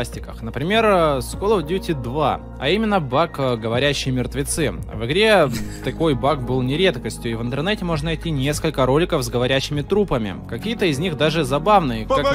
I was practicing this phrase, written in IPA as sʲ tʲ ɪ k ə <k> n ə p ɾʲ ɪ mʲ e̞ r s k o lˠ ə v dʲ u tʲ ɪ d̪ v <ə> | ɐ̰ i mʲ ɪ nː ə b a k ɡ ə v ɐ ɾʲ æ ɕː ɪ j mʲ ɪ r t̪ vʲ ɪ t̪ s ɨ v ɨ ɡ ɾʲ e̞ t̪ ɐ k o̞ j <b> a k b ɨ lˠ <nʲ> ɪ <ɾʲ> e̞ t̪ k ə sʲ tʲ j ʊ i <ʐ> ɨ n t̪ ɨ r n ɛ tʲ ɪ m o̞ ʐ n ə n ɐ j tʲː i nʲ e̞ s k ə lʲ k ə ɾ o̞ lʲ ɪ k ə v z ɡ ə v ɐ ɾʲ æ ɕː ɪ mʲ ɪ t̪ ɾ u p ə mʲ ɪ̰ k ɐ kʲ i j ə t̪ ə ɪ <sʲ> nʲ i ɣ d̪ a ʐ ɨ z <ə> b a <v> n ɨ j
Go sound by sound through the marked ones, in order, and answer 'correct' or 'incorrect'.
incorrect: x, incorrect: a, correct, correct, correct, incorrect: v, incorrect: zʲ, incorrect: ɐ, correct

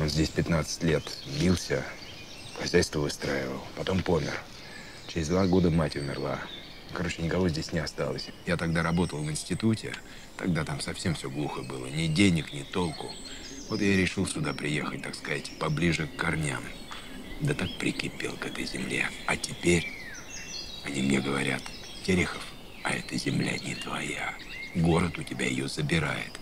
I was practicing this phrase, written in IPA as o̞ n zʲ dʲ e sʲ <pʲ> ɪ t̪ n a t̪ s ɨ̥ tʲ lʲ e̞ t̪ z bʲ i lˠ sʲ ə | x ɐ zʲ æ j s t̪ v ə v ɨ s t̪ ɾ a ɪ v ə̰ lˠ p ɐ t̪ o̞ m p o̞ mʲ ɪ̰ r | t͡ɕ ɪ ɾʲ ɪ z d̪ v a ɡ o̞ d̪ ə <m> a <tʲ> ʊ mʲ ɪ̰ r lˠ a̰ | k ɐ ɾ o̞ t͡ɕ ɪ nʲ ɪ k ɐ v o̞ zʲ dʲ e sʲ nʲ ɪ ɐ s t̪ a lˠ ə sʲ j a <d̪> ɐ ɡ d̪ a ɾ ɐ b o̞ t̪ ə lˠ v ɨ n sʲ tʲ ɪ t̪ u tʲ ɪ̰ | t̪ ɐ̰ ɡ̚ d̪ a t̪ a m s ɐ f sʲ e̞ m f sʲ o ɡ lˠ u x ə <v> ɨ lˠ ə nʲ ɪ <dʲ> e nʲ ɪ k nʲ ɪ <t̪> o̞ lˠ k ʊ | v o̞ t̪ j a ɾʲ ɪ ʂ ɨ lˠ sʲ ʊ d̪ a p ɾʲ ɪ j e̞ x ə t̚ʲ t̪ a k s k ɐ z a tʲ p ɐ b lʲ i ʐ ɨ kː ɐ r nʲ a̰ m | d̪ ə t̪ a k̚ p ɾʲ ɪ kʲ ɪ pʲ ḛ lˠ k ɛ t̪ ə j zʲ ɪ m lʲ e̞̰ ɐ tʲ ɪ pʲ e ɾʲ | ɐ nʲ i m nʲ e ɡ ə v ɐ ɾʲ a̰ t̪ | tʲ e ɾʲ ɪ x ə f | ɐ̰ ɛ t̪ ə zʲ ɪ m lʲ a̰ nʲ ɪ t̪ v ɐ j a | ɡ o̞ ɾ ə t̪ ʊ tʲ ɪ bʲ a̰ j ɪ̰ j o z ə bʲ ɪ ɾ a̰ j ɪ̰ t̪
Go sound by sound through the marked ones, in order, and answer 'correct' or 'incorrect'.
correct, correct, correct, incorrect: t̪, incorrect: b, correct, correct

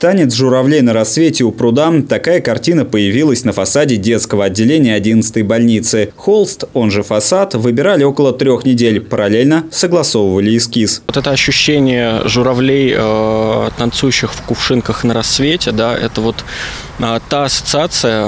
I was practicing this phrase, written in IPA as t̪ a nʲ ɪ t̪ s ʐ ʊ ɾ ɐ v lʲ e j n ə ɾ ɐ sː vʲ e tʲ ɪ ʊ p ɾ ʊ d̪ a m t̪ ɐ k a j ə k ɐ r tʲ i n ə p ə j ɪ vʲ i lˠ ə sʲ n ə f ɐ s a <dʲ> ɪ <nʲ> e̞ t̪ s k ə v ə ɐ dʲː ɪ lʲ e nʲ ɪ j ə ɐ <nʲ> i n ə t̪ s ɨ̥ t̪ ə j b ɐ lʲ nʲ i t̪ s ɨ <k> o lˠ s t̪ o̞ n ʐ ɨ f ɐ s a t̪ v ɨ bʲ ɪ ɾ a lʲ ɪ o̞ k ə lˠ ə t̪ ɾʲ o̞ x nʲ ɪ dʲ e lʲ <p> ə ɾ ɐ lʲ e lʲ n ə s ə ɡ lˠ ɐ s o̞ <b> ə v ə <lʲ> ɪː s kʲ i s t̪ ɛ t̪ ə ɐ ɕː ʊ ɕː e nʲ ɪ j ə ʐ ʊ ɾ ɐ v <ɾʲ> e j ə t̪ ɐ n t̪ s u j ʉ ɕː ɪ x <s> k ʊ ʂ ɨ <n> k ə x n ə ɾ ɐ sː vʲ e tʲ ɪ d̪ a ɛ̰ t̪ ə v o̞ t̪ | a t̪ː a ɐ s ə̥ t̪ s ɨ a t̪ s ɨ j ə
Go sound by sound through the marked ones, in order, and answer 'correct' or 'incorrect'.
correct, incorrect: dʲ, incorrect: dʲ, incorrect: x, correct, incorrect: v, correct, incorrect: lʲ, incorrect: f, correct

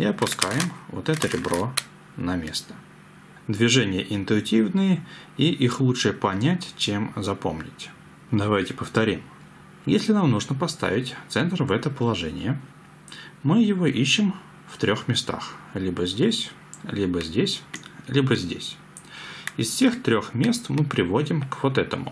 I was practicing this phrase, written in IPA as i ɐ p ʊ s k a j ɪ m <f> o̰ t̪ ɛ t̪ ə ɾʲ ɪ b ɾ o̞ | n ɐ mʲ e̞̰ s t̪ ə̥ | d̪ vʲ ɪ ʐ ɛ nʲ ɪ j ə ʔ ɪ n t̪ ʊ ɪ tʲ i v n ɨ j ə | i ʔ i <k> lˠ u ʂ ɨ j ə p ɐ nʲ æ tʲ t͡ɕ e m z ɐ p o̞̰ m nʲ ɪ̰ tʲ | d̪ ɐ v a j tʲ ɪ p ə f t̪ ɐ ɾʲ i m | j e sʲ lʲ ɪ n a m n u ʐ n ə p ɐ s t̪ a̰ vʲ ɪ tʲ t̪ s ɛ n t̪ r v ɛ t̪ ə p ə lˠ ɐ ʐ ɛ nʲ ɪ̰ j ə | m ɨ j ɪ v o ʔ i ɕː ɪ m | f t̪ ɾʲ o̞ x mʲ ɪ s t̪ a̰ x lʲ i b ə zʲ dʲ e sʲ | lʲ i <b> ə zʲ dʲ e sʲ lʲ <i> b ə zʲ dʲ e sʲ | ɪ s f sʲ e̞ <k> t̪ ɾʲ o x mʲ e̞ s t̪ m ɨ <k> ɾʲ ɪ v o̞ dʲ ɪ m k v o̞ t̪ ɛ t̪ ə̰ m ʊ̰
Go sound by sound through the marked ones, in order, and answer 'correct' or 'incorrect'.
incorrect: v, incorrect: x, correct, correct, incorrect: x, incorrect: p

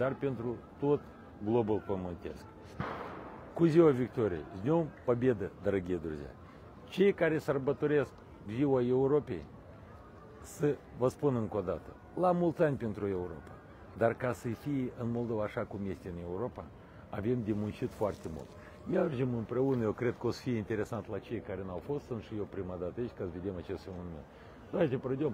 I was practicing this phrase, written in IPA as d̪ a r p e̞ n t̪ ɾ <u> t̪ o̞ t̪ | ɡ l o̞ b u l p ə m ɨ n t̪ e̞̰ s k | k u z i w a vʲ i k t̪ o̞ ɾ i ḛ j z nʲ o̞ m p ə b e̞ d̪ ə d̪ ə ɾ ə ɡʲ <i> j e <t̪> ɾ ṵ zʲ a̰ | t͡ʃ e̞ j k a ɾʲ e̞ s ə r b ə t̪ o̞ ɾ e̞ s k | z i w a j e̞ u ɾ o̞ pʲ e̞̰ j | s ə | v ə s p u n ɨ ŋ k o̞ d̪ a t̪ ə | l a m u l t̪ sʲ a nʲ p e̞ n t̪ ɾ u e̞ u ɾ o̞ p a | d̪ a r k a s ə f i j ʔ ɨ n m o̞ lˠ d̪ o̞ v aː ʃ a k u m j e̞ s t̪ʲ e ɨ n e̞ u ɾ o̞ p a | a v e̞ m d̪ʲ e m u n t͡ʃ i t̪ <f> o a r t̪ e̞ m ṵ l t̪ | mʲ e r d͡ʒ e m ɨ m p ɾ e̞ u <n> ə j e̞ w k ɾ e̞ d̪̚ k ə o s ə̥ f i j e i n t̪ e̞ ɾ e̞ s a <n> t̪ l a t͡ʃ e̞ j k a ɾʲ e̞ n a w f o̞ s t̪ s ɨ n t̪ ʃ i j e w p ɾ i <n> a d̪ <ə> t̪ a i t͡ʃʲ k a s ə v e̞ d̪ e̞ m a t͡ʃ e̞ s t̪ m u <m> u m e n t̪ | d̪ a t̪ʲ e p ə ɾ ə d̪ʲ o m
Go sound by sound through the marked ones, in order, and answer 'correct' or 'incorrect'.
correct, correct, incorrect: d̪, correct, correct, correct, incorrect: m, incorrect: a, incorrect: n

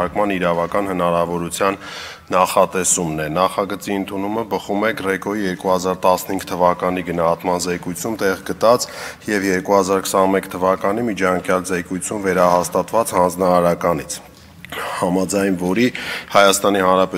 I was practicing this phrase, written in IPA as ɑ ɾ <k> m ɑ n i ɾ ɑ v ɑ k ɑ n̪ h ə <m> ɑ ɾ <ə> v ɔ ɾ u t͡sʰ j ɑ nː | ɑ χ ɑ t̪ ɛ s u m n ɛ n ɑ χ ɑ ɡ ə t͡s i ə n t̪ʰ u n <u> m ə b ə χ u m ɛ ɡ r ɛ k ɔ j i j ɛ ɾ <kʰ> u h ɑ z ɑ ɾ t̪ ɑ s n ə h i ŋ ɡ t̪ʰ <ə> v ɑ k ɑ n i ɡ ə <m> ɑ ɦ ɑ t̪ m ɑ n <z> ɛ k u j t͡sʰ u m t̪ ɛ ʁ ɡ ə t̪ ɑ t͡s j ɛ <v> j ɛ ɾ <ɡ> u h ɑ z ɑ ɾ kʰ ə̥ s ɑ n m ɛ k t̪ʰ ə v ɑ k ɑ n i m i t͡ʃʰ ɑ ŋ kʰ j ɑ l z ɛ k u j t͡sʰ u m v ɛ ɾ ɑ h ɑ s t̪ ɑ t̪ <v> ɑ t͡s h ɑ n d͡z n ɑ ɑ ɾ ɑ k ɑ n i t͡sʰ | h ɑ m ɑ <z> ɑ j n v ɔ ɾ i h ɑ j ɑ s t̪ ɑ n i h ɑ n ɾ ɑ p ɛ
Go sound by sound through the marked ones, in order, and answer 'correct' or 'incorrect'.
correct, incorrect: n, incorrect: ɑ, correct, incorrect: k, correct, incorrect: n, correct, correct, incorrect: k, correct, incorrect: d͡z

